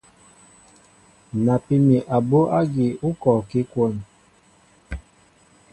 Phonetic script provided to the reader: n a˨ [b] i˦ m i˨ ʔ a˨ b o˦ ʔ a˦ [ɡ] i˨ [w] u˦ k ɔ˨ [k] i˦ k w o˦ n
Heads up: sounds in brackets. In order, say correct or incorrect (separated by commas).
incorrect, correct, incorrect, correct